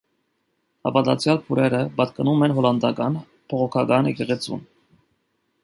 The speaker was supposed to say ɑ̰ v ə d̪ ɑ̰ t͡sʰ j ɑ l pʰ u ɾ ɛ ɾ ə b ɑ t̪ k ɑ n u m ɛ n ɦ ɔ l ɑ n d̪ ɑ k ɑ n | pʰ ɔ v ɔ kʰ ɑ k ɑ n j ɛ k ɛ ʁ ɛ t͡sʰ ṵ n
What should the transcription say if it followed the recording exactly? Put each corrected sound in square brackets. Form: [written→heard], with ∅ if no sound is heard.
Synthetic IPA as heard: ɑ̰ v [ə→ɑ] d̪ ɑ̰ t͡sʰ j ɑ l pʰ u ɾ ɛ ɾ ə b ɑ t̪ k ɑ n u m ɛ n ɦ ɔ l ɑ n d̪ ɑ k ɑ n | pʰ ɔ [v→ʁ] ɔ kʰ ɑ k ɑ n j ɛ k ɛ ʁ ɛ t͡sʰ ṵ n